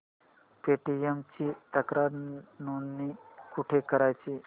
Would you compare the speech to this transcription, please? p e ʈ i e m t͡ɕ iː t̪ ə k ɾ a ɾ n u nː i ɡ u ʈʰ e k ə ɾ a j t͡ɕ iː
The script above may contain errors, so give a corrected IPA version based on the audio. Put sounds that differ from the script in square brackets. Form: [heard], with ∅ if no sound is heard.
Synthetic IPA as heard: p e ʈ i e m t͡ɕ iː t̪ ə k ɾ a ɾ n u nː i [k] u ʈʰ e k ə ɾ a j t͡ɕ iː